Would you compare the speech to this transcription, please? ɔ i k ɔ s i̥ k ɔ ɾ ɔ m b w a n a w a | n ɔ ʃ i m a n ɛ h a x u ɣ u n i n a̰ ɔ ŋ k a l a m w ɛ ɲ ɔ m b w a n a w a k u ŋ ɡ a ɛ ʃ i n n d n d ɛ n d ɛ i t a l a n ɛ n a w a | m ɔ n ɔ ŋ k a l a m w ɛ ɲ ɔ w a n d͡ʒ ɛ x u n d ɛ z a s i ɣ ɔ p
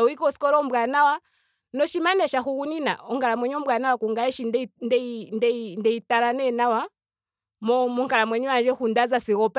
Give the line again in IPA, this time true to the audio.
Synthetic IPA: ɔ i k ɔ s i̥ k ɔ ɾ ɔ m b w a n a w a | n ɔ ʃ i m a n ɛ ʃ a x u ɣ u n i n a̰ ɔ ŋ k a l a m w ɛ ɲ ɔ m b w a n a w a k u ŋ ɡ a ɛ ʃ i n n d n d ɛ n d ɛ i t a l a n ɛ n a w a | m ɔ m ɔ ŋ k a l a m w ɛ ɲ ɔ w a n d͡ʒ ɛ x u n d a z a s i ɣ ɔ p